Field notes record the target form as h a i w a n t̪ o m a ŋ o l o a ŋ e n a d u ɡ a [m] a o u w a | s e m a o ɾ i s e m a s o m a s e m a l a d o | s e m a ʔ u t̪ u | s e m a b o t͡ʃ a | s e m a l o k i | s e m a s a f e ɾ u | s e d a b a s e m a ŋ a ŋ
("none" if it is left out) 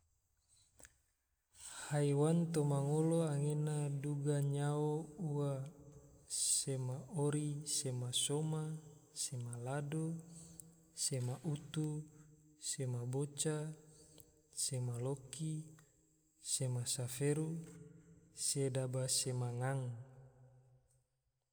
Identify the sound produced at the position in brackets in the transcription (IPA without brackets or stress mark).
ɲ